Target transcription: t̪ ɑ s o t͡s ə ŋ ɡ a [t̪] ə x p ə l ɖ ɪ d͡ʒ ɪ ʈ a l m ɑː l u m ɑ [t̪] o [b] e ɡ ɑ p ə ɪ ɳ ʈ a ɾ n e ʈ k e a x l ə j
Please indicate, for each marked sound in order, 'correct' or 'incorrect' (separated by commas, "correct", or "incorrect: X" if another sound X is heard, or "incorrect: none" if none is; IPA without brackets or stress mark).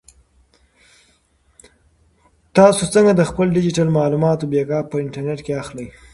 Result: incorrect: d̪, correct, correct